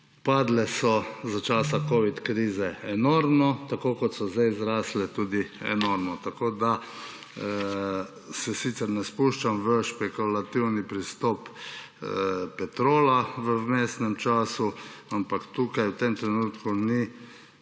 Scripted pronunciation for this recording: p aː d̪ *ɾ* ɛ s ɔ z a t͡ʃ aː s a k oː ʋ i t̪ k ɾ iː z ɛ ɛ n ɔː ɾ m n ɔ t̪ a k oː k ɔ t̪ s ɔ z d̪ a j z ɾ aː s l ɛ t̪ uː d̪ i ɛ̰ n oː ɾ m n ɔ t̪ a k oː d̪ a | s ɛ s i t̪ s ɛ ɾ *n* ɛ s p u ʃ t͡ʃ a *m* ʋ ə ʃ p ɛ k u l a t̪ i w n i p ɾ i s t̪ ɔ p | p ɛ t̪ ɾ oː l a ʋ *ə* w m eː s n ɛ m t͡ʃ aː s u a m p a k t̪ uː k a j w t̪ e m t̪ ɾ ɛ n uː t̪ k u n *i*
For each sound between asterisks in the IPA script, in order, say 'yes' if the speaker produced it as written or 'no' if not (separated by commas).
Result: no, yes, yes, yes, yes